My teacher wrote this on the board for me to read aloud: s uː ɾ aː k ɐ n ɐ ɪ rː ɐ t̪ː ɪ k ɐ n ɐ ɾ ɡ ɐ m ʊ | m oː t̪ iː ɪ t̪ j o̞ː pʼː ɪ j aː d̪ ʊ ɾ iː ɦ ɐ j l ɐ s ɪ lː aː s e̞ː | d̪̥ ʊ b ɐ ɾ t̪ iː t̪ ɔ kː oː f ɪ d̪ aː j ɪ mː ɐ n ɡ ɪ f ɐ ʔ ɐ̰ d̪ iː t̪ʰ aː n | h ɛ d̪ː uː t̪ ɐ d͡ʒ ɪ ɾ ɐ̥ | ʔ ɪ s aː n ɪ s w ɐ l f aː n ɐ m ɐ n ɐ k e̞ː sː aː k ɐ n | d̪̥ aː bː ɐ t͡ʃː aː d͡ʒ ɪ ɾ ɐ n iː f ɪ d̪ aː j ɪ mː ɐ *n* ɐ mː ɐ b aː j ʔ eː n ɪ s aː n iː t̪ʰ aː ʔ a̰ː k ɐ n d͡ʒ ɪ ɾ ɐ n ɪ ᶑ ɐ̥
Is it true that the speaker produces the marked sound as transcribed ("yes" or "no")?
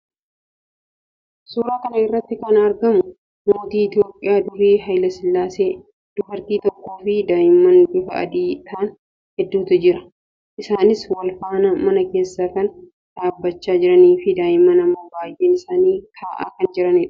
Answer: yes